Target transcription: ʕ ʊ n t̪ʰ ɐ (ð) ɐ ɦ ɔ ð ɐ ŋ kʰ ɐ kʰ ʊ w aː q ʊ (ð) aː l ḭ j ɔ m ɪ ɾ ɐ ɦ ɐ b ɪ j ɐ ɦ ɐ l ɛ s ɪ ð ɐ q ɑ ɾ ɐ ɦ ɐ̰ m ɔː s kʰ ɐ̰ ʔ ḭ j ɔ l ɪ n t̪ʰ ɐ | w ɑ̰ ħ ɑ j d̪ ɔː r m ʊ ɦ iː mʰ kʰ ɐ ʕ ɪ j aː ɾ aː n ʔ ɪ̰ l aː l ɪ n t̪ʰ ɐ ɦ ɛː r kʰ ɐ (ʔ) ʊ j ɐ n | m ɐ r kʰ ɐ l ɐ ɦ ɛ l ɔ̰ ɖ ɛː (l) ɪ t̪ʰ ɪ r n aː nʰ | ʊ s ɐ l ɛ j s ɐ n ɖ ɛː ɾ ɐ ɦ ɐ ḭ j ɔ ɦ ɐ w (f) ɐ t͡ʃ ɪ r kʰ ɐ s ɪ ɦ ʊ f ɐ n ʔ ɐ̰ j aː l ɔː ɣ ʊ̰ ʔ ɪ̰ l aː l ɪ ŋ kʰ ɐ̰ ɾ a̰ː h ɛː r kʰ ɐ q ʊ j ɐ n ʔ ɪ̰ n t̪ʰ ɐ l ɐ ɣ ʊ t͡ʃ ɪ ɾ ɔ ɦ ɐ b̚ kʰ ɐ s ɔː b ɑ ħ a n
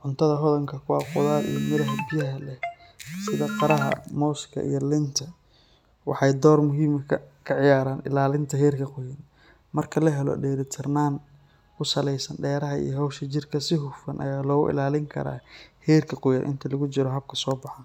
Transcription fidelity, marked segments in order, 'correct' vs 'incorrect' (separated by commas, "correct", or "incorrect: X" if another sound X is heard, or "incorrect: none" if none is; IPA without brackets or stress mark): correct, correct, incorrect: q, incorrect: ɾ, incorrect: ʃ